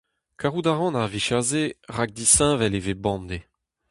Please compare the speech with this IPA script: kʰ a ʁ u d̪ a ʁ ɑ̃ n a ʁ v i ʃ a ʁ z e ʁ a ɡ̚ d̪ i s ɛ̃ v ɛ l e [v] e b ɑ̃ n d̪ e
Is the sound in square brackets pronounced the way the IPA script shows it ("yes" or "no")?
yes